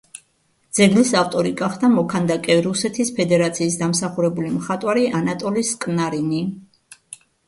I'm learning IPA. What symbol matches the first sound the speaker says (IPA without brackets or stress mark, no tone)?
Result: d̪